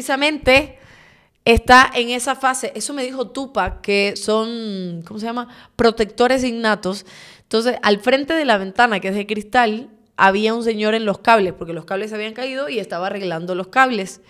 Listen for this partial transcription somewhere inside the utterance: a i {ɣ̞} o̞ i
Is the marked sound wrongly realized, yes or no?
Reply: yes